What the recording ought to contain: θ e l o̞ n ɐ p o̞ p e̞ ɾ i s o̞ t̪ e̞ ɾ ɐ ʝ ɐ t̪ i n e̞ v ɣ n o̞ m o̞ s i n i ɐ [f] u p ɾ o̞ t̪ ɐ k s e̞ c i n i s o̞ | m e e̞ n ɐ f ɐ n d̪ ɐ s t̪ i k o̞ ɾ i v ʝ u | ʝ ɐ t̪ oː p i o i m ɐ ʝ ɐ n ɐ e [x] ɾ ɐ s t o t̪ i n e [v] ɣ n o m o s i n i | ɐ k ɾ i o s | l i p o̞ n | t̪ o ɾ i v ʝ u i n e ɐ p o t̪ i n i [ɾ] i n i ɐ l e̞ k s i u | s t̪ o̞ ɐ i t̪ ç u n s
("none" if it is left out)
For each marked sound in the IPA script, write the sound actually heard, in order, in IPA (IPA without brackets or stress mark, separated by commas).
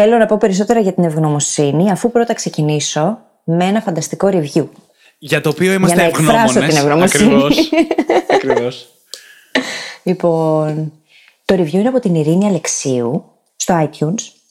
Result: f, k, v, ɾ